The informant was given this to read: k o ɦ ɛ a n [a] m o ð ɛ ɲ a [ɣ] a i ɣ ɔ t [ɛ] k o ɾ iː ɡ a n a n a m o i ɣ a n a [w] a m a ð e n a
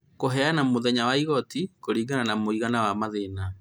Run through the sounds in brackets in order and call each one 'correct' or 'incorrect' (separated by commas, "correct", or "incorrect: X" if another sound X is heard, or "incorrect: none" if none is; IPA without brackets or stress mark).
correct, incorrect: w, incorrect: i, correct